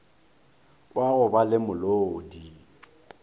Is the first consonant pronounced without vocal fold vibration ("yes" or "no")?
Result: no